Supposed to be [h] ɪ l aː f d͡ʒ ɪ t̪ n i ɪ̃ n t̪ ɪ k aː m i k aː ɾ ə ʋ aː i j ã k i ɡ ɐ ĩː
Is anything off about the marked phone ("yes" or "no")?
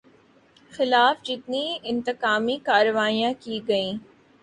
yes